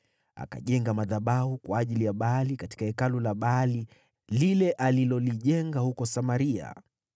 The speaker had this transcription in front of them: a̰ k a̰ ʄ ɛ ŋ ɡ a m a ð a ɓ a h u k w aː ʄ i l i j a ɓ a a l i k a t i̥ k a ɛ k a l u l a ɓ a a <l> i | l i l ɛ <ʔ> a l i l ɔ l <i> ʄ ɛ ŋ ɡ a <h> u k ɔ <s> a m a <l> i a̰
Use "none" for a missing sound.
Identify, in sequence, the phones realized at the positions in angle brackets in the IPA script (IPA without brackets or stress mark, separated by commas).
l, ʔ, i, h, s, ɾ